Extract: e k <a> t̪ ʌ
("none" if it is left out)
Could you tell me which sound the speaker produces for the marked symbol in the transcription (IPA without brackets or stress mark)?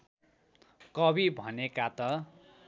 a